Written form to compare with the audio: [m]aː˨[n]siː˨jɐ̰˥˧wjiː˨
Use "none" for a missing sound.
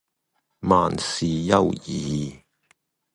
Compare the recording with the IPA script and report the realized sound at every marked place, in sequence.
m, n

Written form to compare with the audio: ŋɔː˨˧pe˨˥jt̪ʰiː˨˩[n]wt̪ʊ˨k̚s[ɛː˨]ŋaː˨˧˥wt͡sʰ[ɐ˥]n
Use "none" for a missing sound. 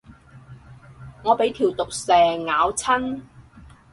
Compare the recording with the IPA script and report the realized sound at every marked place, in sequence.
none, ɛː˨, ɐ˥

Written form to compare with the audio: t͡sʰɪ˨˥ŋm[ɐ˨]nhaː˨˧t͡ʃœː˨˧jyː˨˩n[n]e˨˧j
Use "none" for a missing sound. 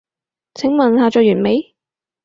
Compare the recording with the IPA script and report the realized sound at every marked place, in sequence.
ɐ˨, m

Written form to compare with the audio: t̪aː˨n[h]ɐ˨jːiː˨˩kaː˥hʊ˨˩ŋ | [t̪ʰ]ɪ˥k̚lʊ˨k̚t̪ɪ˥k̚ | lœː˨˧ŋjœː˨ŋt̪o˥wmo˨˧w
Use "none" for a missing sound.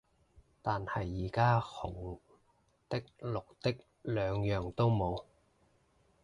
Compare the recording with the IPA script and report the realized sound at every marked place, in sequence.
h, t̪

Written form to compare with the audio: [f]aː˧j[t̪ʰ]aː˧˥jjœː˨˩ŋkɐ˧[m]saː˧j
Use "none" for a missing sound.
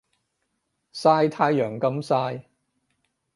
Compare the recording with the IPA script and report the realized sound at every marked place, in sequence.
s, t̪ʰ, m

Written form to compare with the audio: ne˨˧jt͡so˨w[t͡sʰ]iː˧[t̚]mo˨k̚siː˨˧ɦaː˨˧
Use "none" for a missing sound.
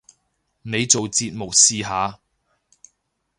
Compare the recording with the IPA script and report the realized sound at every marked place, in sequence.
t͡s, t̚

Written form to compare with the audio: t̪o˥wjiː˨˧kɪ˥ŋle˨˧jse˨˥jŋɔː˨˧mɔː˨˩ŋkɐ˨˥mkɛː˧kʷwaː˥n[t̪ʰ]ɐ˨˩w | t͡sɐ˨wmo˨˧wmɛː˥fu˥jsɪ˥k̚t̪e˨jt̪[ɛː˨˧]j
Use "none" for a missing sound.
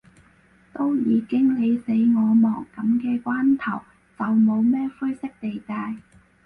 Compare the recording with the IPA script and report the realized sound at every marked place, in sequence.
t̪ʰ, aː˨˧

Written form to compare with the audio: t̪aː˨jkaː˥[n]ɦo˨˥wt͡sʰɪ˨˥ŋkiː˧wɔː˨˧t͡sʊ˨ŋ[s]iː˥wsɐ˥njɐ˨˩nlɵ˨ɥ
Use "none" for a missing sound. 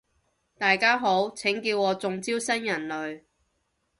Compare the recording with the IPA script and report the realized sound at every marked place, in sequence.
none, t͡s

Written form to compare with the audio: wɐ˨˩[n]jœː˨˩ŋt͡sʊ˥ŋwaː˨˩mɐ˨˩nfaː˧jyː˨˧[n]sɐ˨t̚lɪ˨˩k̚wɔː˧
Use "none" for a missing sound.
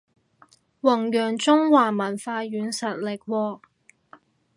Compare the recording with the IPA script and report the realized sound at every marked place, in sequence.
ŋ, n

